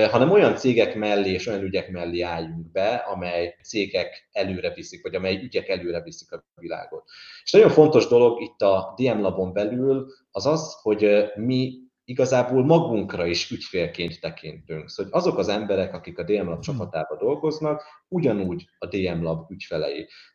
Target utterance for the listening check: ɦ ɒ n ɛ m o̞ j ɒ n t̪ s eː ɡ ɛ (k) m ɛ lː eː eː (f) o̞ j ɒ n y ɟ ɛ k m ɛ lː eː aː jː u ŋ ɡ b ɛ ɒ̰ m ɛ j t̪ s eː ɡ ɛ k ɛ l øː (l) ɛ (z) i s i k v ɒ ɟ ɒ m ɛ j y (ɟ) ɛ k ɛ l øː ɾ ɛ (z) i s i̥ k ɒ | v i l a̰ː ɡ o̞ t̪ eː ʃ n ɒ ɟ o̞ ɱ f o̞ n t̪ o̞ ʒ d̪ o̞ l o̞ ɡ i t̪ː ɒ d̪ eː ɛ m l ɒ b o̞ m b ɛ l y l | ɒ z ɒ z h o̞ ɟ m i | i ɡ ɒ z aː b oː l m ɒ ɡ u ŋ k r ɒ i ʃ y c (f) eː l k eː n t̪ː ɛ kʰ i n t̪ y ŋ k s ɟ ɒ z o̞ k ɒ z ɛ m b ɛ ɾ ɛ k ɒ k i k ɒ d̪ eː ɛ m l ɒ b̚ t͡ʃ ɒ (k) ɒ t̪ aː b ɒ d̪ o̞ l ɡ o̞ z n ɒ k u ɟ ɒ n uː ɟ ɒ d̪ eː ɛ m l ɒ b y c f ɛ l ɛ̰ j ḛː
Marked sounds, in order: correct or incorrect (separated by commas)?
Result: correct, incorrect, incorrect, incorrect, correct, incorrect, correct, incorrect